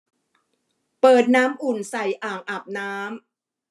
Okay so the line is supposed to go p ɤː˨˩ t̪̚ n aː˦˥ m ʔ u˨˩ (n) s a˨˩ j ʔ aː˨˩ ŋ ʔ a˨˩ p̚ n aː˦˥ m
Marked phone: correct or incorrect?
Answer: correct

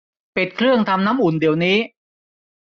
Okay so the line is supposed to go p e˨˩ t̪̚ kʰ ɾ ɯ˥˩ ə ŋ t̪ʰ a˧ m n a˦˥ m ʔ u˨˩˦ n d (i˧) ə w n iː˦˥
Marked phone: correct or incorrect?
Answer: incorrect: i˨˩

